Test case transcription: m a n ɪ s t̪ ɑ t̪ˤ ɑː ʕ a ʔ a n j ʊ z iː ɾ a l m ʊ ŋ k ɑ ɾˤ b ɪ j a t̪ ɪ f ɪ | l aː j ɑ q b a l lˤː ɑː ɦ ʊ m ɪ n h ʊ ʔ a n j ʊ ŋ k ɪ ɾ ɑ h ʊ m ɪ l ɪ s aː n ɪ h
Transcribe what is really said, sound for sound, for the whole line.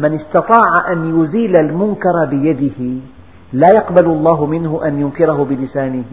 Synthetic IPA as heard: m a n ɪ s t̪ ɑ t̪ˤ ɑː ʕ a ʔ a n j ʊ z iː l a l m ʊ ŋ k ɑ ɾˤ b ɪ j a d̪ ɪ h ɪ | l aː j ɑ q b a l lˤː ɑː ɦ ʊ m ɪ n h ʊ ʔ a n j ʊ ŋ k ɪ ɾ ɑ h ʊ b ɪ l ɪ s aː n ɪ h